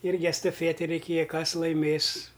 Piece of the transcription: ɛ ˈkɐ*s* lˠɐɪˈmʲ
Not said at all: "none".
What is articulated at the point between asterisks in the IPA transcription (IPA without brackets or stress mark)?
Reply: s